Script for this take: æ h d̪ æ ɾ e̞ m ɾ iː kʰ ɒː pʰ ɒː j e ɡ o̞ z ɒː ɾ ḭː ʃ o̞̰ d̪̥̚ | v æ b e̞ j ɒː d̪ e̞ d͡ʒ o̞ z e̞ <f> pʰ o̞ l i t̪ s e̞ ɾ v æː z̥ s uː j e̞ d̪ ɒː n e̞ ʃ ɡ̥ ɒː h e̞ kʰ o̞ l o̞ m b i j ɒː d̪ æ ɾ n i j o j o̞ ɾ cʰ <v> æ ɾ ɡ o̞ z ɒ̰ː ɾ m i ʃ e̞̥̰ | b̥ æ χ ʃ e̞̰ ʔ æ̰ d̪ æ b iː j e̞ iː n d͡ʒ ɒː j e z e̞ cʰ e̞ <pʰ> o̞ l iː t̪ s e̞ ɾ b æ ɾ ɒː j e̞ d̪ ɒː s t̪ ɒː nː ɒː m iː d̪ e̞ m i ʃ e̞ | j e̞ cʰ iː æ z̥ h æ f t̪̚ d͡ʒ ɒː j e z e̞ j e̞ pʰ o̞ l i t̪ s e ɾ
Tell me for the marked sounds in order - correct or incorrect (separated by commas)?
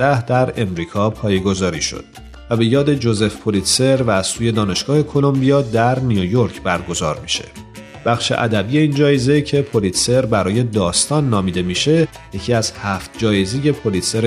correct, incorrect, correct